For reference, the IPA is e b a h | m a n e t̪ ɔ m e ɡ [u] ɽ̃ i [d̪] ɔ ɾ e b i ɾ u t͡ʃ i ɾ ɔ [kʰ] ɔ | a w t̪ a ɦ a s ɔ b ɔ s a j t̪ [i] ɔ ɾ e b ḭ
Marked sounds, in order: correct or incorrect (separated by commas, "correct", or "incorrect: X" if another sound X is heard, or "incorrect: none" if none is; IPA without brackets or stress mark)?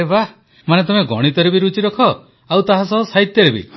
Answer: incorrect: ɔ, incorrect: t̪, correct, incorrect: j